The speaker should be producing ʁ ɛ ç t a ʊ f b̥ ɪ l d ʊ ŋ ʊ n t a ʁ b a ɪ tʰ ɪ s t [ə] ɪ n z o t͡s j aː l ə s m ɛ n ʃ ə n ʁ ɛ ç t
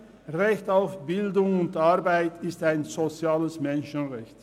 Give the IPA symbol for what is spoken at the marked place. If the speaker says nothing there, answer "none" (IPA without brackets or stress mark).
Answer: a